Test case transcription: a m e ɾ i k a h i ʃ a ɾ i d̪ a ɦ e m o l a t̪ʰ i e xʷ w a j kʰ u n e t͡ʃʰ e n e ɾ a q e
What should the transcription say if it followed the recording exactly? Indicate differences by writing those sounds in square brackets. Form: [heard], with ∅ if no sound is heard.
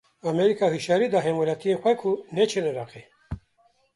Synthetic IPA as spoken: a m e ɾ i k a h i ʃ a ɾ i d̪ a ɦ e m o l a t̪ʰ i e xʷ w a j kʰ u n e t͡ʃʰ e n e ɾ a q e

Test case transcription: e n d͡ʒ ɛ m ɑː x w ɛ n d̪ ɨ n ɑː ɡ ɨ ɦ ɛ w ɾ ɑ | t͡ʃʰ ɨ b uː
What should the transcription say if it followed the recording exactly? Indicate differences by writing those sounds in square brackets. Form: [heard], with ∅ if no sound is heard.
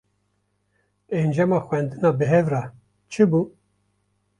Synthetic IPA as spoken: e n d͡ʒ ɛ m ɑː x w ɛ n d̪ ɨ n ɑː [b] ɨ ɦ ɛ [v] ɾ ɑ | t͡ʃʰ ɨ b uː

